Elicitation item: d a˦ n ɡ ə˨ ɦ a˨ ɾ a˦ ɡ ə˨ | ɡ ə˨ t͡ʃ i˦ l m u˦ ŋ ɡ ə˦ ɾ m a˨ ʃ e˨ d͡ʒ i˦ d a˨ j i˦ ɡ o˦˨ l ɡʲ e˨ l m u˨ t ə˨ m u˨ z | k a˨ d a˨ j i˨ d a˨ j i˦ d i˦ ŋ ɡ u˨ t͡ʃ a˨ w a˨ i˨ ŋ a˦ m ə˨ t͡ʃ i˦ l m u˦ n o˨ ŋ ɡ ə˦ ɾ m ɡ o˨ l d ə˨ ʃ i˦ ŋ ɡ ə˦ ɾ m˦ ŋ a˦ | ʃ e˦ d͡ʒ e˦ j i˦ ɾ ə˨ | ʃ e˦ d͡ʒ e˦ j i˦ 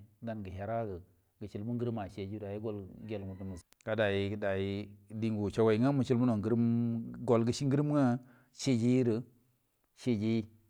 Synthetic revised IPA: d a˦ n ɡ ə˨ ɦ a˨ ɾ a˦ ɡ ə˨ | ɡ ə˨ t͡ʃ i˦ l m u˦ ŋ ɡ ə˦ ɾ m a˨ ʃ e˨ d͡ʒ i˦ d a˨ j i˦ ɡ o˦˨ l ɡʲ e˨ l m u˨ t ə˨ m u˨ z | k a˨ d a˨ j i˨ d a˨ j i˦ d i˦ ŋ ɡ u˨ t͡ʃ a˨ w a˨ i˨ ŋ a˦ m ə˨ t͡ʃ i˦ l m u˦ n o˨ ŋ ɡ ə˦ ɾ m ɡ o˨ l ɡ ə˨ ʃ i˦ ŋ ɡ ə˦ ɾ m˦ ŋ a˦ | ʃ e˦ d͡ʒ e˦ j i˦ ɾ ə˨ | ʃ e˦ d͡ʒ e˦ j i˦